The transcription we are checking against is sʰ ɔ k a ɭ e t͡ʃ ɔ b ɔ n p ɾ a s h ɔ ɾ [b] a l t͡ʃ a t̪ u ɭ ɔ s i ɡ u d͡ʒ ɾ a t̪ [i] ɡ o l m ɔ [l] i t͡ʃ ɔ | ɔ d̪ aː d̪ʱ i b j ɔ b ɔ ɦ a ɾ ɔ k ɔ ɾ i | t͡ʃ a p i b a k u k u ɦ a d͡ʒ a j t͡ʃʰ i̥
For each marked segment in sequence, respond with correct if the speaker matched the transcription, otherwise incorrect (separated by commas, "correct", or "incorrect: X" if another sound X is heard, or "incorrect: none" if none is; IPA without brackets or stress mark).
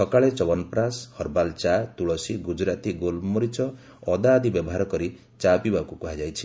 correct, correct, incorrect: ɾ